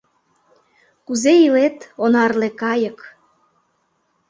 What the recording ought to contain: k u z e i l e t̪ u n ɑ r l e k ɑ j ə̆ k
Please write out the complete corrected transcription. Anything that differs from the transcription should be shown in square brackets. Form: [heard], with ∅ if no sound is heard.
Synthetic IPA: k u z e i l e t̪ [o] n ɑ r l e k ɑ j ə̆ k